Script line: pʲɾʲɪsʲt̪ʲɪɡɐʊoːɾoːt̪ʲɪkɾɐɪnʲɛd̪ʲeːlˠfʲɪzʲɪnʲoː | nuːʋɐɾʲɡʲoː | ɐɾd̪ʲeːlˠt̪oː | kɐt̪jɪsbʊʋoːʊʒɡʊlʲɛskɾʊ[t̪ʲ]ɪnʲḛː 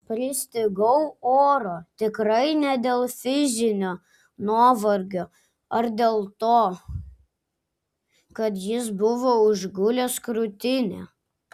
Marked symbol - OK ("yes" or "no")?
yes